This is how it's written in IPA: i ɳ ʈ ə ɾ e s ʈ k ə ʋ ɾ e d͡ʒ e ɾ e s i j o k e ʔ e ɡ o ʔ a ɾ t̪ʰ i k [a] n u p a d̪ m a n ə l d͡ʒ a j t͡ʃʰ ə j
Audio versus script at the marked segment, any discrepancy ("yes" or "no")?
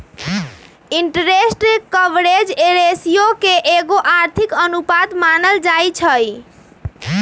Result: yes